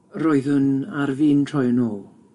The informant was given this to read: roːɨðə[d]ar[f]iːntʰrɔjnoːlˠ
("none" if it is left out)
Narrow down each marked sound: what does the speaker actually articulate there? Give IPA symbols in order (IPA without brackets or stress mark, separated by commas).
n, v